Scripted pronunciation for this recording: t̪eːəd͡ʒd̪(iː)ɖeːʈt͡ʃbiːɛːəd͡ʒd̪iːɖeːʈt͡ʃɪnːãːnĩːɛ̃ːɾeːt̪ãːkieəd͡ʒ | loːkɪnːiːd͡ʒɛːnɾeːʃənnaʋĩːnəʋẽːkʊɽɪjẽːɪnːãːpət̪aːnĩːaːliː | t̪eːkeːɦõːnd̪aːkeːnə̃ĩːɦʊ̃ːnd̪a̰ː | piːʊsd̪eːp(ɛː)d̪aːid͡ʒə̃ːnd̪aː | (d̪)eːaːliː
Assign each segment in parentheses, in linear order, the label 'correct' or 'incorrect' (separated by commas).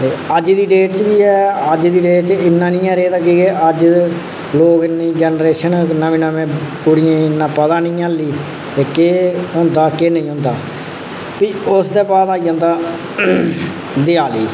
correct, incorrect, correct